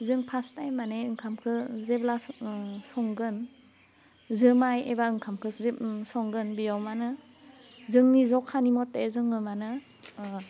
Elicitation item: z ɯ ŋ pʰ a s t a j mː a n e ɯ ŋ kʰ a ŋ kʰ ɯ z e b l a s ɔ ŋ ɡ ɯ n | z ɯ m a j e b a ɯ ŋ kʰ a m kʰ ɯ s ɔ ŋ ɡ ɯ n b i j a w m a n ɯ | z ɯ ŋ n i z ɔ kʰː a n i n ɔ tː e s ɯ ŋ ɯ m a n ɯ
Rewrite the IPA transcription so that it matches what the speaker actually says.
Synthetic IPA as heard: z ɯ ŋ pʰ a s t a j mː a n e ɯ ŋ kʰ a m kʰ ɯ z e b l a s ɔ ŋ ɡ ɯ n | z ɯ m a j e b a ɯ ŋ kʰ a m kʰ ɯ s ɔ ŋ ɡ ɯ n b i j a w m a n ɯ | z ɯ ŋ n i z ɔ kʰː a n i m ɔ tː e z ɯ ŋ ɯ m a n ɯ